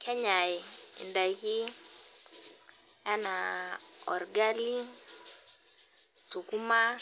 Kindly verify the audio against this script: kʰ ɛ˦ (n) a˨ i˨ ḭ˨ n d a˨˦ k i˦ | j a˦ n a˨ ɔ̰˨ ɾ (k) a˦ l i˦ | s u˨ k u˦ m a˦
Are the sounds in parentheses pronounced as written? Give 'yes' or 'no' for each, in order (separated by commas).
no, no